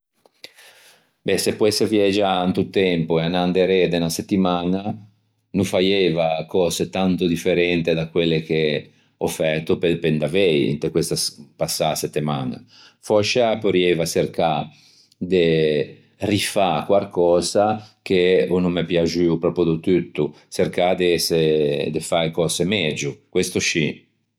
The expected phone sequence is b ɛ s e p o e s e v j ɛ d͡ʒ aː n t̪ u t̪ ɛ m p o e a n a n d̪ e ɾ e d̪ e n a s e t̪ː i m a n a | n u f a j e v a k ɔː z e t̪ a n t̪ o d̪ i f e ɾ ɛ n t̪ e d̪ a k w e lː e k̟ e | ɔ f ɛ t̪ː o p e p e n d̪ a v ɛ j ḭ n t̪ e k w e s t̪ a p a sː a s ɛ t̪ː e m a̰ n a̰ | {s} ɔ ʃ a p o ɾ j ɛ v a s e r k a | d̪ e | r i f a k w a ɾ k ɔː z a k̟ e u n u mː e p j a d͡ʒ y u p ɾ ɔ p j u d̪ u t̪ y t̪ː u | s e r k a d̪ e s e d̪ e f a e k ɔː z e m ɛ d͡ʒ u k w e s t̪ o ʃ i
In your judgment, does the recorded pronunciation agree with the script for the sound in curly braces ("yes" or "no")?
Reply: no